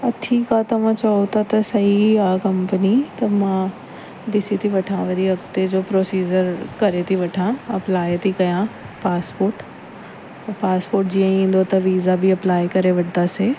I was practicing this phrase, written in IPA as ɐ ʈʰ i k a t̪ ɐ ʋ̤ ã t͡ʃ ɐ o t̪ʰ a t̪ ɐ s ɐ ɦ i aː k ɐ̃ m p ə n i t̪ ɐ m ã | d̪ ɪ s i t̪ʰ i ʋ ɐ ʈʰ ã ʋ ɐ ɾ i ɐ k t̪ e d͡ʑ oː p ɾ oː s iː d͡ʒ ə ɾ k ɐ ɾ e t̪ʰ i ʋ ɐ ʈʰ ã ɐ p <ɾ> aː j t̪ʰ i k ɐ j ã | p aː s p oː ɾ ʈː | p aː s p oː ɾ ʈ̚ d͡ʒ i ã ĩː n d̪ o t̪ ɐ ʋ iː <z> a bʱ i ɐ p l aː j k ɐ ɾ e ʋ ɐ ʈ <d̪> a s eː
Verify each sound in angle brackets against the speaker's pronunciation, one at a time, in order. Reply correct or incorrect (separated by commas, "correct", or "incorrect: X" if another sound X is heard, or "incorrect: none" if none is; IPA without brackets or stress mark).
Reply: incorrect: l, correct, correct